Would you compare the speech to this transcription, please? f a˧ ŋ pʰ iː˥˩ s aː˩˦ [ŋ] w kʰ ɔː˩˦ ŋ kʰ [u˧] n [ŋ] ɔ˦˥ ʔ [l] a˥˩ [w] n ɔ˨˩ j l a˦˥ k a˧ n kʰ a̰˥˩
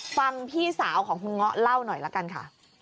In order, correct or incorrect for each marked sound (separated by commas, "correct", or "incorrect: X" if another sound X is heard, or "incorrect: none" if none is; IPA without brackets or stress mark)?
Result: incorrect: none, correct, correct, correct, correct